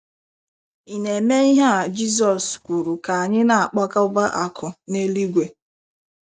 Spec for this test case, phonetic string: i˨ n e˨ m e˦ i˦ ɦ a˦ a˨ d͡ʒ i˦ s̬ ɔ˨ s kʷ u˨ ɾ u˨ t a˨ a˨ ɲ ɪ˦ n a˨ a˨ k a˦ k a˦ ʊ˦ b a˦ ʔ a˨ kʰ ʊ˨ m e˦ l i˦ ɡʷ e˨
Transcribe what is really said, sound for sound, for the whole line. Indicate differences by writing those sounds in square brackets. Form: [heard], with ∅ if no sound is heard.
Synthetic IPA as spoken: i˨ n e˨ m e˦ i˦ ɦ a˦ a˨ d͡ʒ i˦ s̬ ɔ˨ s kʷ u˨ ɾ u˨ [k] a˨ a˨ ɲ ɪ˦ n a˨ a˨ [k͡p] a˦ k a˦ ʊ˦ b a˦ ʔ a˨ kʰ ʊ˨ [n] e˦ l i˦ ɡʷ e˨